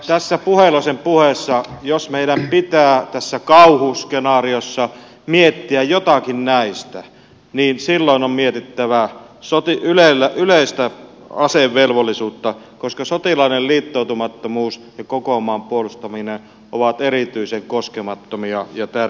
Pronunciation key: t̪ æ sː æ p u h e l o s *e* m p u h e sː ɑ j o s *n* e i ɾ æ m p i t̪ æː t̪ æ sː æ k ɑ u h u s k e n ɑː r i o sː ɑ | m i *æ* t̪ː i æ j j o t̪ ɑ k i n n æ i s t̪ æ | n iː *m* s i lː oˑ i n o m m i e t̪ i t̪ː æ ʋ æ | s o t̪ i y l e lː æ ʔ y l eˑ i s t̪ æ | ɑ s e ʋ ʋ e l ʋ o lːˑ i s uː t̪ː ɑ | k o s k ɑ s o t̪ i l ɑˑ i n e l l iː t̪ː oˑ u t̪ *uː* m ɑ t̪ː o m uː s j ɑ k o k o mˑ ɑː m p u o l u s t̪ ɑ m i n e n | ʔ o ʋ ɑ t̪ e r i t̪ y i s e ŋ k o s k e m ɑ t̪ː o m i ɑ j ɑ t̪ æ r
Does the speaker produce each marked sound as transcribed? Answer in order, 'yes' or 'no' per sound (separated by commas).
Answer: yes, no, no, no, no